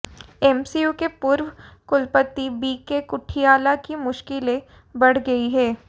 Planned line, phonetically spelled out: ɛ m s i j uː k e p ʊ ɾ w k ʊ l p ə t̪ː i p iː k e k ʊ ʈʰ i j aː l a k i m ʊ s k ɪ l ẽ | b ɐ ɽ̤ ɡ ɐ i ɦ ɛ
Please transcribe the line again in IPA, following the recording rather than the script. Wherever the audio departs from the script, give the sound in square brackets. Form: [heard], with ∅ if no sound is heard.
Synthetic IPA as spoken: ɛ m s i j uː k e p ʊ ɾ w k ʊ l p ə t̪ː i [b] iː k e k ʊ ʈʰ i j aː l a k i m ʊ [ʃ] k ɪ l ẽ | b ɐ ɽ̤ ɡ ɐ i ɦ [ɛː]